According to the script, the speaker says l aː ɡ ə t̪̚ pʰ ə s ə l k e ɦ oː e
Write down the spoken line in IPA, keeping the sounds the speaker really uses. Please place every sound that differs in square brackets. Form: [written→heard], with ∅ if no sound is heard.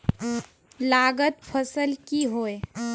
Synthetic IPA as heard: l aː ɡ ə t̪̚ pʰ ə s ə l k [e→i] ɦ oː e